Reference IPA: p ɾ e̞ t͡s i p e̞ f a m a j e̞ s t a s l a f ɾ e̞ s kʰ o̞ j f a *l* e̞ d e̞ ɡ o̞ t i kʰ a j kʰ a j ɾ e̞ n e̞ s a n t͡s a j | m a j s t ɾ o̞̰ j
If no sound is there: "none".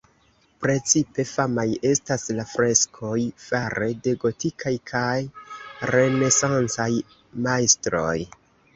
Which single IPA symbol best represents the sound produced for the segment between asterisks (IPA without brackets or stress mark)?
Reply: ɾ